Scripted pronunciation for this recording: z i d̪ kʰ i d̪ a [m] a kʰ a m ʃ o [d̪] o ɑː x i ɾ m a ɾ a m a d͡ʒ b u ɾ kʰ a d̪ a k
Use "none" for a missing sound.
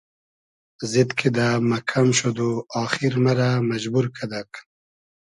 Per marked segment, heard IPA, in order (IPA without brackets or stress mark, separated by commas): m, d̪